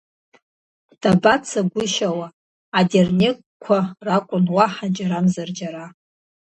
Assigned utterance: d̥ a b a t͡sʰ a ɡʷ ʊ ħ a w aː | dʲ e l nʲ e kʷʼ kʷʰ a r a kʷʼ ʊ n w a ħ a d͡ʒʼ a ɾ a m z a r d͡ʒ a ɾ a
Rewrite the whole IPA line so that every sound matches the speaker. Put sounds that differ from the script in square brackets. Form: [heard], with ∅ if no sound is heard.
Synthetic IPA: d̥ a b a t͡sʰ a ɡʷ ʊ [ʃ] a w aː | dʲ e [r] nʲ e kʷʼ kʷʰ a r a kʷʼ ʊ n w a ħ a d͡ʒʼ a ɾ a m z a r d͡ʒ a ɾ a